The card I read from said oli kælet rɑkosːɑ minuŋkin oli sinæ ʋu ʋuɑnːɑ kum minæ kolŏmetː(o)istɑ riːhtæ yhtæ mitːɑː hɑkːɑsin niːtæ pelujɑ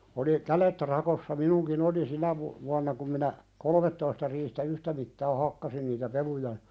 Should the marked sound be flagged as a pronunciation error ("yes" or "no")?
no